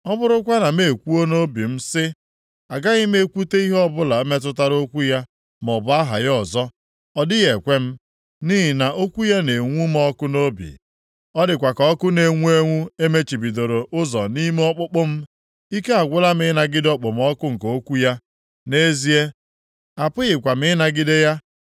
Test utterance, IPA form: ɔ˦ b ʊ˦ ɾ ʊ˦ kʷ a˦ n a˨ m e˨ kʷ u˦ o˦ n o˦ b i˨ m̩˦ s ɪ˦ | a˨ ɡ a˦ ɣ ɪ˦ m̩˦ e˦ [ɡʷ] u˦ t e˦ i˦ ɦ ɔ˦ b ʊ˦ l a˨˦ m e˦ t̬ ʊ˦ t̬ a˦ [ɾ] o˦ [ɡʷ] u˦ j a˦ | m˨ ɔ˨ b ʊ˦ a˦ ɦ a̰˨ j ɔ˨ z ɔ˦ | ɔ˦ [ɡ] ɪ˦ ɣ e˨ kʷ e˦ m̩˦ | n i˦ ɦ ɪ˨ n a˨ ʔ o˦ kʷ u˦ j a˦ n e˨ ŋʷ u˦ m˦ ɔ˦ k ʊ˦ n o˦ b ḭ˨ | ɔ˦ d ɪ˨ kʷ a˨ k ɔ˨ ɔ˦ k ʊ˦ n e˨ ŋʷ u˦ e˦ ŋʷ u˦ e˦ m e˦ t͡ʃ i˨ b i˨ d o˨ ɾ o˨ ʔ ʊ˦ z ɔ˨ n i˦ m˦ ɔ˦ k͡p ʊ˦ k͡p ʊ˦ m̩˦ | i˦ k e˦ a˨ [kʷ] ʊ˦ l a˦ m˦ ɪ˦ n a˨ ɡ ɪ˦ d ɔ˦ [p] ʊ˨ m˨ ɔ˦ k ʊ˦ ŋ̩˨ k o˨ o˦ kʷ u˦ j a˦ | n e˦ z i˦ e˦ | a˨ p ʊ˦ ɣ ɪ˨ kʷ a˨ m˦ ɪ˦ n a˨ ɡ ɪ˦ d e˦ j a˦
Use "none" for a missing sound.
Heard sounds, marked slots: kʷ, ɾ, kʷ, d, ɡʷ, k͡p

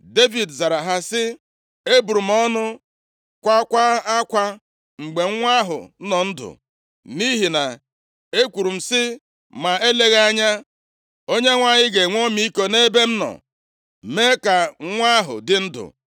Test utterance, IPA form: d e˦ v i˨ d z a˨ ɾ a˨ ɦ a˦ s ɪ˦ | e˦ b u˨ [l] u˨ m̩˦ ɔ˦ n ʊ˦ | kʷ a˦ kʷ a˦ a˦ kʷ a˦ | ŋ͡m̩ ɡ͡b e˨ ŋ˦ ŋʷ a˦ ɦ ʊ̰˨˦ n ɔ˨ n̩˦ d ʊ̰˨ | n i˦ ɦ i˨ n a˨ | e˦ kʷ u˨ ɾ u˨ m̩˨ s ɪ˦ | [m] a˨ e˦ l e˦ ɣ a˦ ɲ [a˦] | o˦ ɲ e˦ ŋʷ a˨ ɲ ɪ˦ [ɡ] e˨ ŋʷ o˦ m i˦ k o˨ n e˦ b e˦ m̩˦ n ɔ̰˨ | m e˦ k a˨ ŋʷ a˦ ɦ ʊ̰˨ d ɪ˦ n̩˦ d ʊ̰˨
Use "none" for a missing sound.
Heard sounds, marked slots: ɾ, m, a˦, ɡ

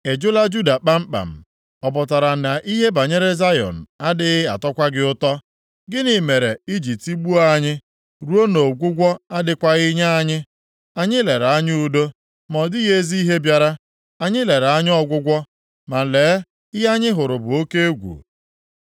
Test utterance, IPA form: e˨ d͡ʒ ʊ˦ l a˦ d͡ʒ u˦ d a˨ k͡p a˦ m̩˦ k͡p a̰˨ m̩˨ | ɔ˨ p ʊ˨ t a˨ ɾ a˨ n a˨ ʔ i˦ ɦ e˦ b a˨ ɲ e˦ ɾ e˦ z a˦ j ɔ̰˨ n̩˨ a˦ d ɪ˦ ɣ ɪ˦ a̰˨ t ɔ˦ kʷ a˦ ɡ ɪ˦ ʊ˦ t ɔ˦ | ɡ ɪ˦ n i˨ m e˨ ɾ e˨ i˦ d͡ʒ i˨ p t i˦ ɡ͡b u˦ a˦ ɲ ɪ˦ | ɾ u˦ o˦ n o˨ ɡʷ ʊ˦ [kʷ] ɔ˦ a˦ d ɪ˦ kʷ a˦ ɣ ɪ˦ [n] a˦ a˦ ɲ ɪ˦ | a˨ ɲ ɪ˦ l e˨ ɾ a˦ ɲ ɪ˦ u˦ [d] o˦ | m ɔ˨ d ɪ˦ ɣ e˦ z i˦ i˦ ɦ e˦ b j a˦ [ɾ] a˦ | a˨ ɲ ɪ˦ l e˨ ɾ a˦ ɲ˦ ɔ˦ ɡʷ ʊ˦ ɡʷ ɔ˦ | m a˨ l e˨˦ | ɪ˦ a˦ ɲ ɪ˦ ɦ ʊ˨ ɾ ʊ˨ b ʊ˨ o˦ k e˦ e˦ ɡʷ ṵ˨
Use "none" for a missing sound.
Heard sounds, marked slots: ɡʷ, ɲ, d, ɾ

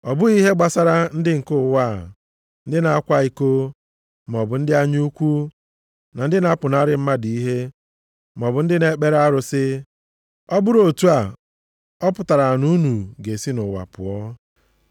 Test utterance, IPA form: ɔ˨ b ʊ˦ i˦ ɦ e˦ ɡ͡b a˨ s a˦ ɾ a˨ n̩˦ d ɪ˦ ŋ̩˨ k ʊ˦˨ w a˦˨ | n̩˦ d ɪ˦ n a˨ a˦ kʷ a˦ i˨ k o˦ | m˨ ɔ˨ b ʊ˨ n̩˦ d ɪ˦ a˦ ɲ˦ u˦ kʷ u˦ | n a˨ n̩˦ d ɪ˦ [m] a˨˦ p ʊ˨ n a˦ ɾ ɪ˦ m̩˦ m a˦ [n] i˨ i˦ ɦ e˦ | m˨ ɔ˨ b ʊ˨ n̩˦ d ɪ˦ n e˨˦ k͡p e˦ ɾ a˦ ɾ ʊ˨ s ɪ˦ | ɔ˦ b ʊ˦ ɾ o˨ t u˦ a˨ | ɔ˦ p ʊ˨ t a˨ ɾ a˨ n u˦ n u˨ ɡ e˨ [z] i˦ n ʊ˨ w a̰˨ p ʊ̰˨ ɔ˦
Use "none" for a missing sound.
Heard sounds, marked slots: n, d, s

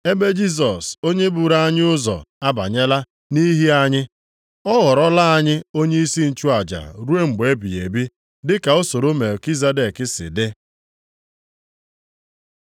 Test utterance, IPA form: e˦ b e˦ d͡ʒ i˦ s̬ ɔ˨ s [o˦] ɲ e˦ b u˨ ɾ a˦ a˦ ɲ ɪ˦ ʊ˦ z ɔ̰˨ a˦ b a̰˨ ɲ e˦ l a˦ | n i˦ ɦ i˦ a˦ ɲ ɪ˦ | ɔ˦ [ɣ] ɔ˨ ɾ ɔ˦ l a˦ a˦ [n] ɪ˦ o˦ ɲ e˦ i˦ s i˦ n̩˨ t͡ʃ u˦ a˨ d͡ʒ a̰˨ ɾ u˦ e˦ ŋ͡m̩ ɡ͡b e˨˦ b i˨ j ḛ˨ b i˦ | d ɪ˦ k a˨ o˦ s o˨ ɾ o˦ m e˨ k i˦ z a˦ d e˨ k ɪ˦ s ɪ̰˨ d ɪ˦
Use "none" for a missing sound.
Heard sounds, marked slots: o˦, ɣ, ɲ

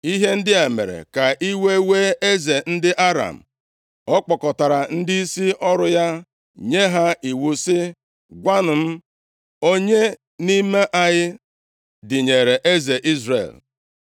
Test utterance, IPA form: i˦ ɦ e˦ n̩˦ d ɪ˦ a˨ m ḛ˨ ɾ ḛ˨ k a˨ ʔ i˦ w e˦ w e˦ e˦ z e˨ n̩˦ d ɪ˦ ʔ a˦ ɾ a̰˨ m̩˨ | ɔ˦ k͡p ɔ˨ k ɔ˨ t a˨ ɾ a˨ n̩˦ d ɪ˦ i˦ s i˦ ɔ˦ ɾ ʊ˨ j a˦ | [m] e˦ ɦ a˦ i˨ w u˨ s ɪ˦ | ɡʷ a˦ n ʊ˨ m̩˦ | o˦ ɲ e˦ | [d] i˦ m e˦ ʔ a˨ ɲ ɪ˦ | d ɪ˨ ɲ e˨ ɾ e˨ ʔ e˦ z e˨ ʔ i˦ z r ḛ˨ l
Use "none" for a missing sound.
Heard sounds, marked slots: ɲ, n

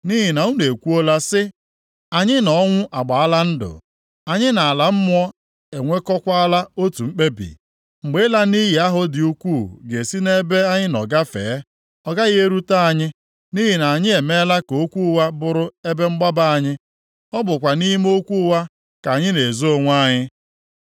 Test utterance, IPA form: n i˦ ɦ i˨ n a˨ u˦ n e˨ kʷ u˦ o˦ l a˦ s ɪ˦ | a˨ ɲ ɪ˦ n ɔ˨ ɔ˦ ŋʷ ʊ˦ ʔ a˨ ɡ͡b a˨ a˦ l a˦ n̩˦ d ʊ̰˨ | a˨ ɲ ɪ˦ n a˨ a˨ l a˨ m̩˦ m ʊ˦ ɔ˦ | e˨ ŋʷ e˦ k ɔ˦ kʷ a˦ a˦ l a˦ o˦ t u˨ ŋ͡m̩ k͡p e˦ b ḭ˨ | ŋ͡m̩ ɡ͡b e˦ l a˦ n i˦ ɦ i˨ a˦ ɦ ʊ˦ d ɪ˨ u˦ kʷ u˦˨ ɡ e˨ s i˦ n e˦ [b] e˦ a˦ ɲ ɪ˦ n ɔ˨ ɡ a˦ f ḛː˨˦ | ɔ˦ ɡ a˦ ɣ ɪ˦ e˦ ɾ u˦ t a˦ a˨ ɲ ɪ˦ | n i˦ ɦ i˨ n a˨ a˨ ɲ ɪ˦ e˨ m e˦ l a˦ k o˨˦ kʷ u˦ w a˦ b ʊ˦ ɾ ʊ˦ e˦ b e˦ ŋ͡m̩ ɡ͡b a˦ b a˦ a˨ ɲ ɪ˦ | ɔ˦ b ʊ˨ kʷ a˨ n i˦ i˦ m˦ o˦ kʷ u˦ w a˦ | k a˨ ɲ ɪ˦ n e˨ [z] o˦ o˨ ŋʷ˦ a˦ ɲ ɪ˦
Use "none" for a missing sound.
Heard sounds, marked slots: b, z

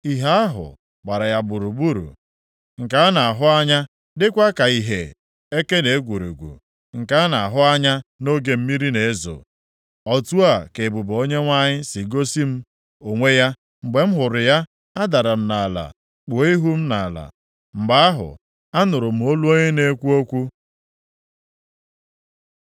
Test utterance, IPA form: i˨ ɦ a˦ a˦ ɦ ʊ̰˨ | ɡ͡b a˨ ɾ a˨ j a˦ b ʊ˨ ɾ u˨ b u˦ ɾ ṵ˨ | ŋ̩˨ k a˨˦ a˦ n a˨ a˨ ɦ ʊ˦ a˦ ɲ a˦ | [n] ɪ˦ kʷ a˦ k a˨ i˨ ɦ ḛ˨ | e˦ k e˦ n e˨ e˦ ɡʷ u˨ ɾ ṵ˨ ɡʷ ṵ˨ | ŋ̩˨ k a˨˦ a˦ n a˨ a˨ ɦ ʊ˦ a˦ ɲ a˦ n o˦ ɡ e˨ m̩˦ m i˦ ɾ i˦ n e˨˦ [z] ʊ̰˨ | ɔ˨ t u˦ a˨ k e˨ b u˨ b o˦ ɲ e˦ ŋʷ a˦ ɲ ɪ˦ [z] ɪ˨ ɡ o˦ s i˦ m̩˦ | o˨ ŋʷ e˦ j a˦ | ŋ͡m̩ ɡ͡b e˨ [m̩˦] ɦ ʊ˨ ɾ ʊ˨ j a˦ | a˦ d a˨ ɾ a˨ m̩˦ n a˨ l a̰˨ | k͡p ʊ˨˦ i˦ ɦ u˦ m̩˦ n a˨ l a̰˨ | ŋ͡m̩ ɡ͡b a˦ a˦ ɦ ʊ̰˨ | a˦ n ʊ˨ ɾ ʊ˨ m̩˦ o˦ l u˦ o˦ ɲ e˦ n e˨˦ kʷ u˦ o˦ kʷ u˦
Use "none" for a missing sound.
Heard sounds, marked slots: d, z, s, m̩˦

